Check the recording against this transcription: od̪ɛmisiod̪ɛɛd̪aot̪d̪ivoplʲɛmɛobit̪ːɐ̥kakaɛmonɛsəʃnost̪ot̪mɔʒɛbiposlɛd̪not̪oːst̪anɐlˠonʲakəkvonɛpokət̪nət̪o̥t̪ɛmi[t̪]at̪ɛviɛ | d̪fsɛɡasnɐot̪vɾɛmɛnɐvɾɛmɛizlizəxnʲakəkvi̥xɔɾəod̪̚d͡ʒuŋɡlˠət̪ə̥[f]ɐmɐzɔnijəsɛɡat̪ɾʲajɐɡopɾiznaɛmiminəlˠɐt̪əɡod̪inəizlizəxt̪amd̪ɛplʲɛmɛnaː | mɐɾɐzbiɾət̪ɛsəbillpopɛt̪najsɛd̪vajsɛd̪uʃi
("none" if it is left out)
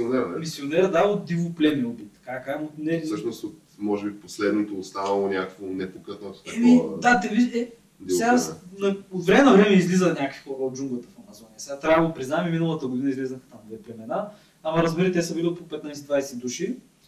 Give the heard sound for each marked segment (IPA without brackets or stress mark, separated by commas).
d̪, f